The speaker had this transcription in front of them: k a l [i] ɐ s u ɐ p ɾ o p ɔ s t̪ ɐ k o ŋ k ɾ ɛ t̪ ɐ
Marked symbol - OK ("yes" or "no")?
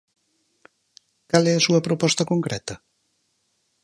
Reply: no